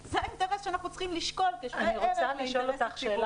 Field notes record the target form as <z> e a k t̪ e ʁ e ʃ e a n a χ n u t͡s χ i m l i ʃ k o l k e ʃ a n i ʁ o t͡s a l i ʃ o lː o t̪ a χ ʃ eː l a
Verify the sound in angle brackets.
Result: correct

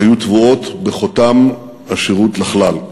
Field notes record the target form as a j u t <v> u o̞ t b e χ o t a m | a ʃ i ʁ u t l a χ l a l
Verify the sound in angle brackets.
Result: correct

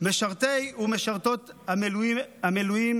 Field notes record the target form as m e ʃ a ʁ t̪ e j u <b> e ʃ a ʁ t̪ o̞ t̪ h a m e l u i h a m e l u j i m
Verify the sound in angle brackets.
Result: incorrect: m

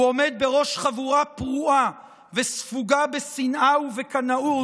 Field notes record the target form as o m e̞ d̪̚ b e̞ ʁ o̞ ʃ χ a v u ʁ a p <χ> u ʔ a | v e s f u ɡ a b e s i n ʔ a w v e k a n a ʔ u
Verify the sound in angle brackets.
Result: incorrect: ʁ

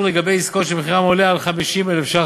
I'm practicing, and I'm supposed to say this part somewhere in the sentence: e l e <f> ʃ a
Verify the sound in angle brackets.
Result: correct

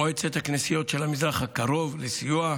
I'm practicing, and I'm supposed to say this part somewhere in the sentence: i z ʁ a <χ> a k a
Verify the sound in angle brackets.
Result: correct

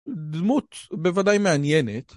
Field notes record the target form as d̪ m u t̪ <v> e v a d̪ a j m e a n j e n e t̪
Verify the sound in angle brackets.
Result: incorrect: b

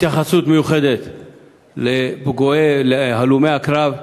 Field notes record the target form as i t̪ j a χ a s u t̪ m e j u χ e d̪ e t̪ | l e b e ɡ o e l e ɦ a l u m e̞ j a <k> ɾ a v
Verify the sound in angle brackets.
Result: correct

